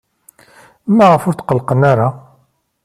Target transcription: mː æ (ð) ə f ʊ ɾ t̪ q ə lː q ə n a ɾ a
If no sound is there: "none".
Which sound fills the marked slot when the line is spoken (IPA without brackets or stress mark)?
ʁ